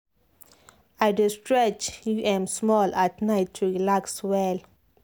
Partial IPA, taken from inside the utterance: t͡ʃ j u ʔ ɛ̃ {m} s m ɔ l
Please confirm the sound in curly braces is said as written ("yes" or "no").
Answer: yes